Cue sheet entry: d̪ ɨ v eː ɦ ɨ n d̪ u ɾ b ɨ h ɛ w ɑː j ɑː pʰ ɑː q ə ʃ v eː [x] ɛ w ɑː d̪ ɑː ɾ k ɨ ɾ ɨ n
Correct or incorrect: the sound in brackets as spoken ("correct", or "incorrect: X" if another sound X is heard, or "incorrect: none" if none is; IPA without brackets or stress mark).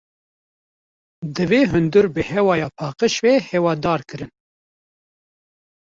incorrect: h